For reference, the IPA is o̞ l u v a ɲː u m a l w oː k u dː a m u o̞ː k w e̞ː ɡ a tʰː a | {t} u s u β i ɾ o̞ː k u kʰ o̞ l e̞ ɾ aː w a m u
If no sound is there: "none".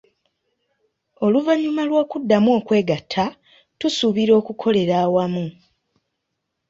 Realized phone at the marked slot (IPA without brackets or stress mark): t